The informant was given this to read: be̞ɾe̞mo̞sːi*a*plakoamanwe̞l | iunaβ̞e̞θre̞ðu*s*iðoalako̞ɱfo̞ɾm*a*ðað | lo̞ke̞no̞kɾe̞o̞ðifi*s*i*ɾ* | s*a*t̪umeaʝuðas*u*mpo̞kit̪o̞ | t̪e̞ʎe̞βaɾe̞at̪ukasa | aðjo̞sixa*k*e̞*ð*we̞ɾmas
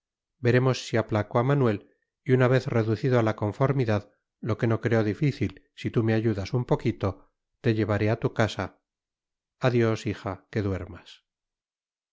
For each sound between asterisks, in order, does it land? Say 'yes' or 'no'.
yes, no, no, no, no, no, yes, yes, yes

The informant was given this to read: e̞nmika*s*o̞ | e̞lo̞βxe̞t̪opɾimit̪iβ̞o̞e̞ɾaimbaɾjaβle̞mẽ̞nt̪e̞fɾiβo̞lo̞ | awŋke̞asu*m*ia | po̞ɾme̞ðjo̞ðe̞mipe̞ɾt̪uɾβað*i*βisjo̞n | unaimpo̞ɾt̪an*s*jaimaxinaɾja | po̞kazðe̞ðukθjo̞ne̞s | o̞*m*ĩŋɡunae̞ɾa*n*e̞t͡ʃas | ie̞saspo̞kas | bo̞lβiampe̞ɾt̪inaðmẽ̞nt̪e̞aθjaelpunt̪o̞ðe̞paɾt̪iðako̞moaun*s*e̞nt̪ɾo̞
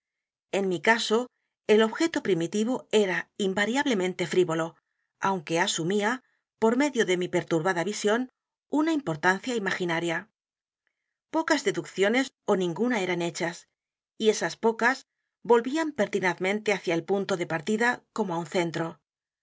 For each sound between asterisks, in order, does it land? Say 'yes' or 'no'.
yes, yes, no, no, no, yes, no

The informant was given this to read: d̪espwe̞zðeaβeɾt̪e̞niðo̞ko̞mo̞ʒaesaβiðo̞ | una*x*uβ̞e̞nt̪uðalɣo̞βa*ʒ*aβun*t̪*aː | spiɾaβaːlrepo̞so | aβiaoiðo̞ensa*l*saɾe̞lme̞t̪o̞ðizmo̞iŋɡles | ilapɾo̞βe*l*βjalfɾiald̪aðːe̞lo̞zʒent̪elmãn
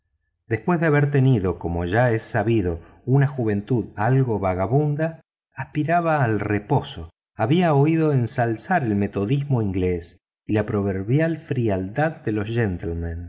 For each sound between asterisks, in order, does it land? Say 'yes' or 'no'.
yes, no, no, yes, no

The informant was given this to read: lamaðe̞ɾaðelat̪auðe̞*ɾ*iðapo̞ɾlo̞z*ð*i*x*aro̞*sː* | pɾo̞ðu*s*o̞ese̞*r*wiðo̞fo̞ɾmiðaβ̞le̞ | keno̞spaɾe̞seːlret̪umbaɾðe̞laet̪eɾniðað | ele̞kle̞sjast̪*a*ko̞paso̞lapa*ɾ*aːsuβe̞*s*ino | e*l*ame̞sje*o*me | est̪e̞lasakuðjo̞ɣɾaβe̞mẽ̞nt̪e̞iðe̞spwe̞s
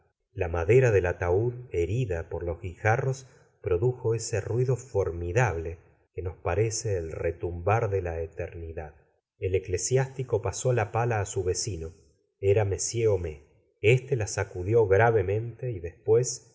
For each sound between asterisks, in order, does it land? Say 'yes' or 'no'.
yes, no, yes, no, no, yes, no, no, yes, no, yes

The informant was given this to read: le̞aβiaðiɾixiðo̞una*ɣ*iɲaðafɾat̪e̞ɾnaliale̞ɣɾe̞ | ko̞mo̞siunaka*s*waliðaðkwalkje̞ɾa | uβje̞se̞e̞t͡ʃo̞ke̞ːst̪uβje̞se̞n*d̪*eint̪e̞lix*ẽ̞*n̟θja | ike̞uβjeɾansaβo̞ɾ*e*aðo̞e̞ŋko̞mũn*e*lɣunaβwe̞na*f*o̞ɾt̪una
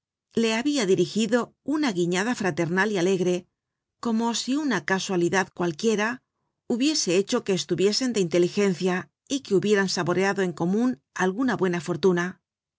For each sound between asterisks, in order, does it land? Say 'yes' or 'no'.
yes, yes, yes, no, yes, no, yes

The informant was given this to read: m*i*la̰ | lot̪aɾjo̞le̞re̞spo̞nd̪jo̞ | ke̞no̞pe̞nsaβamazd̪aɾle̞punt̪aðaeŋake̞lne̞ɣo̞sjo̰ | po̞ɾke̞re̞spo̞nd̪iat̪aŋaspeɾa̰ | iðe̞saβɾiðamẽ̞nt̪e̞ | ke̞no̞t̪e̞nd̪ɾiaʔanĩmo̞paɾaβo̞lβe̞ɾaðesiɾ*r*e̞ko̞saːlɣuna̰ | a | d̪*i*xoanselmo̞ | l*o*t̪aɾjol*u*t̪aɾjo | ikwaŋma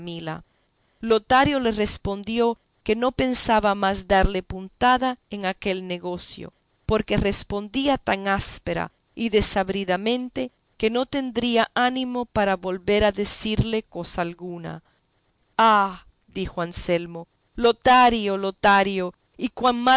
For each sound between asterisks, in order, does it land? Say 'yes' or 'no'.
yes, no, yes, yes, no

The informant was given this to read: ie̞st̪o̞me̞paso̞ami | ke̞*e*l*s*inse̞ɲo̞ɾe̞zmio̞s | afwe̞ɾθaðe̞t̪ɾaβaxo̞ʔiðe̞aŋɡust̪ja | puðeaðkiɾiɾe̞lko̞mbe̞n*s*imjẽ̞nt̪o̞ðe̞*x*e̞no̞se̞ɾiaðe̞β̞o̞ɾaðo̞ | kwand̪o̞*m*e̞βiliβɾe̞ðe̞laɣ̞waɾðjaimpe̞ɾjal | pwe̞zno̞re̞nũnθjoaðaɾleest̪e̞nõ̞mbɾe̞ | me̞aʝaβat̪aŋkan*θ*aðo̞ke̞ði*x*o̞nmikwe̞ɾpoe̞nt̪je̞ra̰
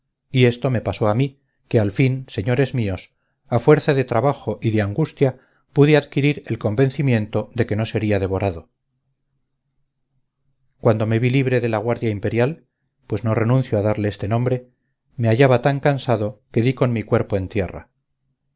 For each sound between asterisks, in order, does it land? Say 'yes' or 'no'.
no, no, no, no, yes, no, no

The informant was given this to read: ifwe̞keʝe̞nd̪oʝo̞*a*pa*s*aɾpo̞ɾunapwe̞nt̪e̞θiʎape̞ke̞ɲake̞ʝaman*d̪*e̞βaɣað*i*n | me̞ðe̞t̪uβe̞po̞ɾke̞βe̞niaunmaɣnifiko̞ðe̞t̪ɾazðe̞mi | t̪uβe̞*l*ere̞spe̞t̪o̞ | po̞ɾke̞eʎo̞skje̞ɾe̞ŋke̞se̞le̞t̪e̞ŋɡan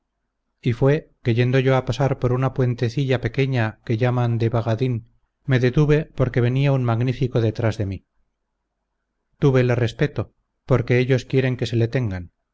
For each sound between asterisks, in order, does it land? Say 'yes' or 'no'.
yes, yes, yes, yes, yes

